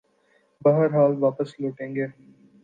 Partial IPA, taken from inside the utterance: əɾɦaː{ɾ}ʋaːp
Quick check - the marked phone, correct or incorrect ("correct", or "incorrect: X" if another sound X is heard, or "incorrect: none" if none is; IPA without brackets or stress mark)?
incorrect: l